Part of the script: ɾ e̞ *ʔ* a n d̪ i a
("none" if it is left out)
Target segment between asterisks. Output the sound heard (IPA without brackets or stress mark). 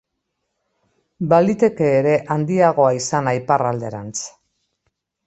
ʔ